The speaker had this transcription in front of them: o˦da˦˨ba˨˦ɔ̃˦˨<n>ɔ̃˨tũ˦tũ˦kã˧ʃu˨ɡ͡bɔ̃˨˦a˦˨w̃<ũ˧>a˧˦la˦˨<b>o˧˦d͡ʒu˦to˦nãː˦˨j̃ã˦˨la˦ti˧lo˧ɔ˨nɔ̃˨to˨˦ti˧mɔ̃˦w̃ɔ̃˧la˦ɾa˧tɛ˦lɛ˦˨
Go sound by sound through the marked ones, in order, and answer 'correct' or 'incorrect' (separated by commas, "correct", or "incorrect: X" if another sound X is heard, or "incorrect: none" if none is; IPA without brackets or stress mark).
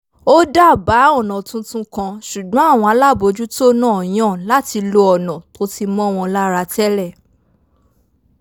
correct, incorrect: ɔ̃˧, correct